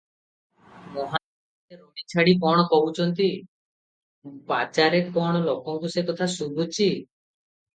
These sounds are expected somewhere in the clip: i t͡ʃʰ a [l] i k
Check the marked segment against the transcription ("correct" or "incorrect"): incorrect